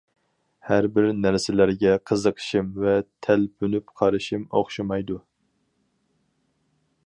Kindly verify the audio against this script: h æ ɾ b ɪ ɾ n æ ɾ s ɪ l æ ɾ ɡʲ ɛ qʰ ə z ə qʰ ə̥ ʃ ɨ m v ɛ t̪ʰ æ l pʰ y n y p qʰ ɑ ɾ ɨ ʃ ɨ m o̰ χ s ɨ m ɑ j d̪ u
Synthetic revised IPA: h æ ɾ b ɪ ɾ n æ ɾ s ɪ l æ ɾ ɡʲ ɛ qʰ ə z ə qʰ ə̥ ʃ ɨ m v ɛ t̪ʰ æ l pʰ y n y p qʰ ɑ ɾ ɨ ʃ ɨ m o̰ χ ʃ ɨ m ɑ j d̪ u